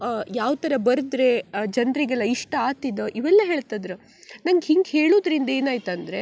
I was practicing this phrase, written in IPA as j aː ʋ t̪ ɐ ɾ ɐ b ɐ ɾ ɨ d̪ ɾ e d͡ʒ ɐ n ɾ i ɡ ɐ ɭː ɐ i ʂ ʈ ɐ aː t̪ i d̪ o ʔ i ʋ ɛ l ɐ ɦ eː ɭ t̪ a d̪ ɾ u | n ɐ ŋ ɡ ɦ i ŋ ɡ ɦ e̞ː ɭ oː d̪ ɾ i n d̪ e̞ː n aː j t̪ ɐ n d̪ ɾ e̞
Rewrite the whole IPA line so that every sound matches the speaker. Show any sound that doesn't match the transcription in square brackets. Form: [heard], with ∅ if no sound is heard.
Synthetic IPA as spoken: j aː ʋ t̪ ɐ ɾ ɐ b ɐ ɾ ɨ d̪ ɾ e d͡ʒ ɐ n ɾ i ɡ ɐ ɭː ɐ i ʂ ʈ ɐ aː t̪ i d̪ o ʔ i ʋ ɛ [lː] ɐ ɦ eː ɭ t̪ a d̪ ɾ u | n ɐ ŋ ɡ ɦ i ŋ ɡ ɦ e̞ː ɭ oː d̪ ɾ i n d̪ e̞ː n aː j t̪ ɐ n d̪ ɾ e̞